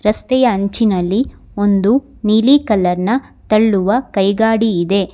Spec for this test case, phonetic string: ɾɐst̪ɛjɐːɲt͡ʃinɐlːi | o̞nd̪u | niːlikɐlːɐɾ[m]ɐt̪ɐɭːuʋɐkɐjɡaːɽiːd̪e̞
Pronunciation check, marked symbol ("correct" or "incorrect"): incorrect